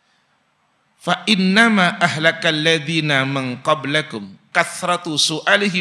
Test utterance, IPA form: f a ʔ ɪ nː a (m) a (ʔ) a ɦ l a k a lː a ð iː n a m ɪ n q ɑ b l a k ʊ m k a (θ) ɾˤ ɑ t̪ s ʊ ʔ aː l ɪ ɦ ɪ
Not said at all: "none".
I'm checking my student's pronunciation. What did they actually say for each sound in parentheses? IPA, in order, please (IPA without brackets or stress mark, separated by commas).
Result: m, ʔ, θ